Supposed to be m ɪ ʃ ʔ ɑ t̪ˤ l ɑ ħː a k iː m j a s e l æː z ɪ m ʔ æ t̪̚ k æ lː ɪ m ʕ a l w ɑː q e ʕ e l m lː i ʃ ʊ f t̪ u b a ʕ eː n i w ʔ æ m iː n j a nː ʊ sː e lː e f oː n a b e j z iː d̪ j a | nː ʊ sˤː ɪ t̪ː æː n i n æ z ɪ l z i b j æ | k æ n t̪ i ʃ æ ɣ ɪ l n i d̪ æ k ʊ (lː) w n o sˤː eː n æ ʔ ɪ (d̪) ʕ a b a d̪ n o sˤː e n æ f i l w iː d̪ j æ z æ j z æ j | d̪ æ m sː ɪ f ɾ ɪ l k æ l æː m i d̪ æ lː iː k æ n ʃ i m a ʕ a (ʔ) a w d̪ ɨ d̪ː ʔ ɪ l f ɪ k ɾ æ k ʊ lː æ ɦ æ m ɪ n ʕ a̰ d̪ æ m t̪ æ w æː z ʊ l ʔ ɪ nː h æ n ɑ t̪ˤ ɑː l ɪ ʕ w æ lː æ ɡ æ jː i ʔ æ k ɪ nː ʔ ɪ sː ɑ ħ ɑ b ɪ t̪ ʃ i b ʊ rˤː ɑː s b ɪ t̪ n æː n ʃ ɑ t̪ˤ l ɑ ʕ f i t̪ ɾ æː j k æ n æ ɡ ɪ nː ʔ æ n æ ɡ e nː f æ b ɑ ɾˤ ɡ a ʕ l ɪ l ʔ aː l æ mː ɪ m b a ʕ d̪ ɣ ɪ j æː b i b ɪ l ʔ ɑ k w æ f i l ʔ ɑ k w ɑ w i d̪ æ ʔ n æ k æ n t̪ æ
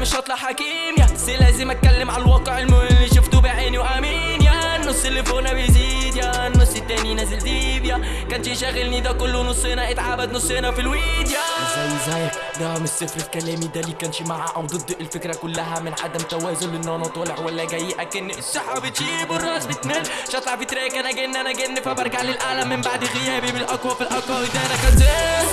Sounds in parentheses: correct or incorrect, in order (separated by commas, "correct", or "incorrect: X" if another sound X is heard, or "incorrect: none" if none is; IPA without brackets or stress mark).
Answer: correct, incorrect: t̪, correct